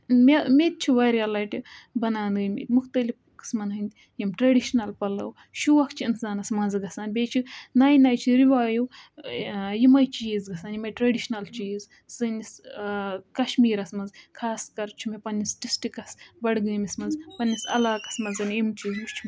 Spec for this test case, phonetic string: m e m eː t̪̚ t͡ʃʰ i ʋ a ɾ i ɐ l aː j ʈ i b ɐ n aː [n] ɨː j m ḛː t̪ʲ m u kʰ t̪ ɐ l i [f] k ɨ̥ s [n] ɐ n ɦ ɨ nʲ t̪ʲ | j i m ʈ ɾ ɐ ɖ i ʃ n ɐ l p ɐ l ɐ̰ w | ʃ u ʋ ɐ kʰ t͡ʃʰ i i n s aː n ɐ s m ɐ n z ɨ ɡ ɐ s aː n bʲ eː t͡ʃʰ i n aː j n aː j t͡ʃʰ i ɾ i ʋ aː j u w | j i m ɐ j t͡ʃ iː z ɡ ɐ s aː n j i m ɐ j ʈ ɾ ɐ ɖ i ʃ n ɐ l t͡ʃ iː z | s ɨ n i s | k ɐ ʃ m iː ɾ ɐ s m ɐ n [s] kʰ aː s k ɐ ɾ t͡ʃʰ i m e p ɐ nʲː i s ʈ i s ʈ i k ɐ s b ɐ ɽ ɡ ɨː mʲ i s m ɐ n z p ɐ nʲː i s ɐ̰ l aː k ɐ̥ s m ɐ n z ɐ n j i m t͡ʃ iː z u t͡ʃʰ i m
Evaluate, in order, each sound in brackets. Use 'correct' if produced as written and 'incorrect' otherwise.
correct, correct, incorrect: m, incorrect: z

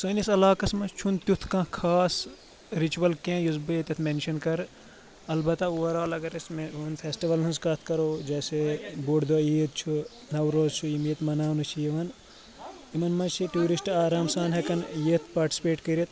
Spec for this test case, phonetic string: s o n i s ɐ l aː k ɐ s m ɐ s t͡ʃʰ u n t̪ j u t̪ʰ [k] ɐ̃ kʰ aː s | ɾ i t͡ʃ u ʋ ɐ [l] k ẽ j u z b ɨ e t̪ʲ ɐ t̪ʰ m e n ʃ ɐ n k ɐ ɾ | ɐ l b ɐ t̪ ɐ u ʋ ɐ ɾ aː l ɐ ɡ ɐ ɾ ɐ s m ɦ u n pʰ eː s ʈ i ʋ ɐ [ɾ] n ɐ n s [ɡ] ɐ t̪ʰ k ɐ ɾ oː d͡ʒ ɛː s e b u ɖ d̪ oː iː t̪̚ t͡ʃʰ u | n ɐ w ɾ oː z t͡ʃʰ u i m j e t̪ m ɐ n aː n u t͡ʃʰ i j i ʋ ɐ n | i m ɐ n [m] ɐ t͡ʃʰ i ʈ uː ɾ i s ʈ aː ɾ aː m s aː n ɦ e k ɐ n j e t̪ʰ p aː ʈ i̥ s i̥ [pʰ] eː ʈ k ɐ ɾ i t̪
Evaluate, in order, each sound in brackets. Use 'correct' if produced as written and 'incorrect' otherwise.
correct, correct, incorrect: l, incorrect: k, correct, incorrect: p

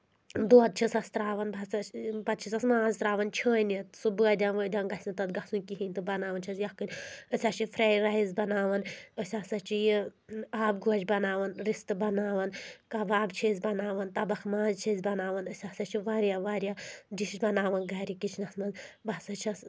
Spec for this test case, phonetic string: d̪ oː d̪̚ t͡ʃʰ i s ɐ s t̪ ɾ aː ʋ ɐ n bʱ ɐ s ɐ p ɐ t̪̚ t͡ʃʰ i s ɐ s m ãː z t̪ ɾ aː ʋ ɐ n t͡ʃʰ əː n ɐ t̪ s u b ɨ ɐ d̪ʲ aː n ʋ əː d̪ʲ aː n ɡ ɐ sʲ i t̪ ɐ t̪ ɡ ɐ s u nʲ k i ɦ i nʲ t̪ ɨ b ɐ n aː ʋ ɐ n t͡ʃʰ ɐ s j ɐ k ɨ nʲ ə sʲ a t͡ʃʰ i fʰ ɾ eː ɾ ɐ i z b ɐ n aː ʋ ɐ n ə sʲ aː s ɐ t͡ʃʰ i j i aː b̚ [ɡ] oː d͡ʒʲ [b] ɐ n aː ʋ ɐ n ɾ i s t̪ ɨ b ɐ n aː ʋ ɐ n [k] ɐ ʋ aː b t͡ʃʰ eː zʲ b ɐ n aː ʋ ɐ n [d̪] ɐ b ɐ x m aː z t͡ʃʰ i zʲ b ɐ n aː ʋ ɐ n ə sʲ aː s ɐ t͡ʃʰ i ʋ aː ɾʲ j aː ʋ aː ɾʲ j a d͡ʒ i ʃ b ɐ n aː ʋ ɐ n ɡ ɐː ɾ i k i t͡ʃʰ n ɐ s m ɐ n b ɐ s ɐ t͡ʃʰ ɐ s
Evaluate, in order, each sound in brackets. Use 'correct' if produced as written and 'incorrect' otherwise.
correct, correct, correct, incorrect: t̪

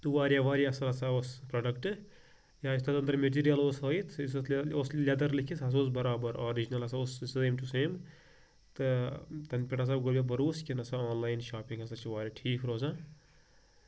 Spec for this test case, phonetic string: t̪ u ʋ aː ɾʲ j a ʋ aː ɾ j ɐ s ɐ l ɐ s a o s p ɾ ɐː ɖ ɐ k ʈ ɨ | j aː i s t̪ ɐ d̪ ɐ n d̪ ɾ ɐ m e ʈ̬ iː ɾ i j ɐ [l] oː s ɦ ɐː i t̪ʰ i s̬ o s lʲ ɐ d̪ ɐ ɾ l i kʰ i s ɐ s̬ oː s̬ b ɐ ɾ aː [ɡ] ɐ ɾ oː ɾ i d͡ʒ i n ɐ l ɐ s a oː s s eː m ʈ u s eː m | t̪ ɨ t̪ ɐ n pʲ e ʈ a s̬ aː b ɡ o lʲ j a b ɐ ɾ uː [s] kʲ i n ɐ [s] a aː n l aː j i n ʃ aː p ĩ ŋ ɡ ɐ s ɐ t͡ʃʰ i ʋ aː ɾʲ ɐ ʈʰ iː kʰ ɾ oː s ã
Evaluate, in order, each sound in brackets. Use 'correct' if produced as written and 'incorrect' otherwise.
correct, incorrect: b, correct, correct

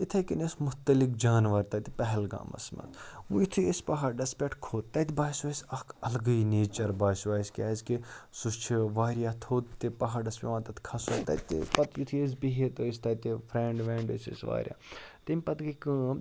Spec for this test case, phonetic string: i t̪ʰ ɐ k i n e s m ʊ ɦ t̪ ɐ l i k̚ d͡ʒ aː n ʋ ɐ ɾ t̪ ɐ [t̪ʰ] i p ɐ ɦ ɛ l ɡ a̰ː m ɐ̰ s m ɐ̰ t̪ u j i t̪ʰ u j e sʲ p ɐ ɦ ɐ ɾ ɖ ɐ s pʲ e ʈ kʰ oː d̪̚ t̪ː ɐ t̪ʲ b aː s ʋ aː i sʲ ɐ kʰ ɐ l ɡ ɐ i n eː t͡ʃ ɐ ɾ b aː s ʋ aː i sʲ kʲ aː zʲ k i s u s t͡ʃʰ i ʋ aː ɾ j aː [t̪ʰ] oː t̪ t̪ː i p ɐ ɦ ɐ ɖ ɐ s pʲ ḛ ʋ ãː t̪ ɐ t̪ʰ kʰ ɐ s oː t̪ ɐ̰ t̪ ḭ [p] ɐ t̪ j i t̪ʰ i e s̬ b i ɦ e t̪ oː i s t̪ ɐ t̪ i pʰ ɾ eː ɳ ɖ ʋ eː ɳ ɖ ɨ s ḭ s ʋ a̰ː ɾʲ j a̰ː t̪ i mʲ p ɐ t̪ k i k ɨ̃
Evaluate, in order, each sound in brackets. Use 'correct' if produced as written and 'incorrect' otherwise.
incorrect: t̪, correct, correct

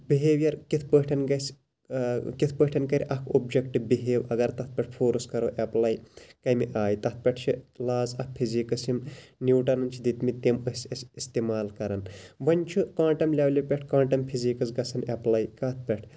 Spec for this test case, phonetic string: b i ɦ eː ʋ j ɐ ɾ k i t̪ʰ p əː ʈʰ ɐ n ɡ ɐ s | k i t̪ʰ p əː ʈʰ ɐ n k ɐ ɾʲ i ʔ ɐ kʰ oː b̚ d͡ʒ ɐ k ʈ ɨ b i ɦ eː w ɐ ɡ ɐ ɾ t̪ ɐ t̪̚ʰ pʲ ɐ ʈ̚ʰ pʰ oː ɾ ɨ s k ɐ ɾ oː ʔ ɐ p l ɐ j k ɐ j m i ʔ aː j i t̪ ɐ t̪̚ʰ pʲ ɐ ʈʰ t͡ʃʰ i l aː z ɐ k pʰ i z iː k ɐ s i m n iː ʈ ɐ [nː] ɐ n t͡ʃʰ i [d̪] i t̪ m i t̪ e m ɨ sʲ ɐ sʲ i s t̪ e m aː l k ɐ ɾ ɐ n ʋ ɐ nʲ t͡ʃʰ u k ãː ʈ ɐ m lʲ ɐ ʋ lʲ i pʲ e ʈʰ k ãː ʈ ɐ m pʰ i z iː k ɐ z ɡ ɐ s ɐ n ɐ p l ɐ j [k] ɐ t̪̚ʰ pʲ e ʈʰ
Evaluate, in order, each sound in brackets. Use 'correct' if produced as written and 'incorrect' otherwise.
incorrect: n, correct, correct

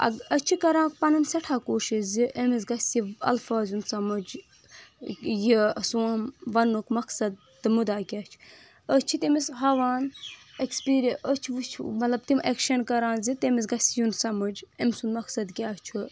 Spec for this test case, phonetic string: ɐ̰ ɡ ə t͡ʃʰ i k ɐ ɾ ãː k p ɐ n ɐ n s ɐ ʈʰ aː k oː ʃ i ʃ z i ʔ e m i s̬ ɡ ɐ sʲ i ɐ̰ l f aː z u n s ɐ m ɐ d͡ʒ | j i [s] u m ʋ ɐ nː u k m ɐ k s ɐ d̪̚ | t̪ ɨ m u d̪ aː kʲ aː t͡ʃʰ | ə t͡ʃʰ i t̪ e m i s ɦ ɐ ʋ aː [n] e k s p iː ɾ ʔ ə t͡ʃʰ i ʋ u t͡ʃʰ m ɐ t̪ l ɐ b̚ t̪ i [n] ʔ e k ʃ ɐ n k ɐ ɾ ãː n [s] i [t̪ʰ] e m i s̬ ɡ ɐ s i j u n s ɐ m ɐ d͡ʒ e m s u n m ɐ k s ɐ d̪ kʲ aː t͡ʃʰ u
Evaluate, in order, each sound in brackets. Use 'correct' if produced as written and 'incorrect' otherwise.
correct, correct, incorrect: m, incorrect: z, incorrect: t̪

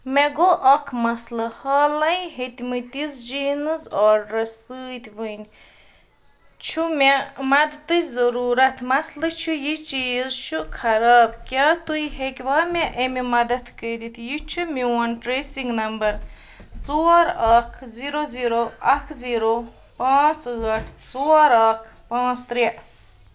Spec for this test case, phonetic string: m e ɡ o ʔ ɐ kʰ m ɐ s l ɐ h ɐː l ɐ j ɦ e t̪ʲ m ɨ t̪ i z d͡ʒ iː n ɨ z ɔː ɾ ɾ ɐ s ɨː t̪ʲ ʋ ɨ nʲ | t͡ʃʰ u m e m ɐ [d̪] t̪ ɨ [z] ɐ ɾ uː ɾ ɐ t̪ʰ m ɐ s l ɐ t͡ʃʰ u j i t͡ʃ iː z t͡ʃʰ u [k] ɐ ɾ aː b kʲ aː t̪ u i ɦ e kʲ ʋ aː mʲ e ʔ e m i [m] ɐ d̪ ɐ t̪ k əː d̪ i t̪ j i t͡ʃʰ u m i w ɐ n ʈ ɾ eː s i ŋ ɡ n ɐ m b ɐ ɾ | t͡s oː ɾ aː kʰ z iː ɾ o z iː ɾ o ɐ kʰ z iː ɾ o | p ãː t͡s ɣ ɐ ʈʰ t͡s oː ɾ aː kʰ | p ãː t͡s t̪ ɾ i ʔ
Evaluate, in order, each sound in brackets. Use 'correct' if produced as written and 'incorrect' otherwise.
correct, correct, incorrect: kʰ, correct

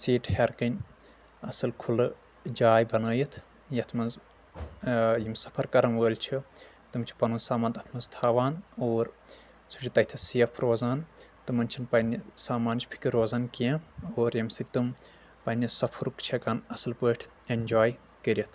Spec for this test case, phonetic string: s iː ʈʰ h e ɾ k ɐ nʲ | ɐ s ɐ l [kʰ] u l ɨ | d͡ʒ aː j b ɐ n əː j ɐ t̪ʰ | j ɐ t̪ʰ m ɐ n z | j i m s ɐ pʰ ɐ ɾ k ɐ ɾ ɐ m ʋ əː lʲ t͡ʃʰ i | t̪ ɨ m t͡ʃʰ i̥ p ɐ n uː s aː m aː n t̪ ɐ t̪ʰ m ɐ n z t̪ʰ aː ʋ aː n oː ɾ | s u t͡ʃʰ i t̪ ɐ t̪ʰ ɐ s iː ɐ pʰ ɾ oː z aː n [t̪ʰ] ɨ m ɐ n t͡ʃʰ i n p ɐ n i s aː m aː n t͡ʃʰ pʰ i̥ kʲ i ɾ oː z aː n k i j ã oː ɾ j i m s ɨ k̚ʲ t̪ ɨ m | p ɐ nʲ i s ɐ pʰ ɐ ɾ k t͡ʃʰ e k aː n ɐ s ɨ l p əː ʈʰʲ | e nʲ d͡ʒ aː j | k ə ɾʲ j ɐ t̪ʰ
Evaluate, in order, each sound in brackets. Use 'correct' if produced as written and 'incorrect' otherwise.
correct, incorrect: t̪

